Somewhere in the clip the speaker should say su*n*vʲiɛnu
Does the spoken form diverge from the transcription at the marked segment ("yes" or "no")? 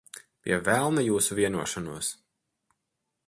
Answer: yes